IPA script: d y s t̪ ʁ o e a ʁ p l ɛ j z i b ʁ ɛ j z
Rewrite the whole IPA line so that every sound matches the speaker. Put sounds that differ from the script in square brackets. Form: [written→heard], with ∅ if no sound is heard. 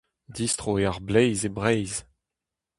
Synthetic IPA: d [y→i] s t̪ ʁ o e a ʁ [p→b] l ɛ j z [i→e] b ʁ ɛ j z